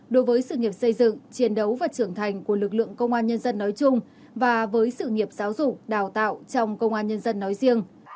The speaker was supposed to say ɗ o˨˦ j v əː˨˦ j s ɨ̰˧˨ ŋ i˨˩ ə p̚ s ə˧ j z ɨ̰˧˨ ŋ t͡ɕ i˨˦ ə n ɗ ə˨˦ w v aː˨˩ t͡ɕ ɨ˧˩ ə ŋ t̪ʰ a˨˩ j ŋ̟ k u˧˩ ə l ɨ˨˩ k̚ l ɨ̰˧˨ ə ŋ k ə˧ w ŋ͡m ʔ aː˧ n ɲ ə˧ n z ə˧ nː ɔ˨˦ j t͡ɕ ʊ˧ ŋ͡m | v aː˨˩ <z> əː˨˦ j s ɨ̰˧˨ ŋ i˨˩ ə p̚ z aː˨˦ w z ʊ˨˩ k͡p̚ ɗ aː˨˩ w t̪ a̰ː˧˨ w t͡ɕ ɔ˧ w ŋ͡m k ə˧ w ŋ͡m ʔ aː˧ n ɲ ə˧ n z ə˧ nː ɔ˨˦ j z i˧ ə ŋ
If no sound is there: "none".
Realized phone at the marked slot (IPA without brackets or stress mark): v